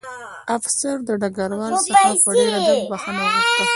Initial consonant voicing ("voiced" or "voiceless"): voiceless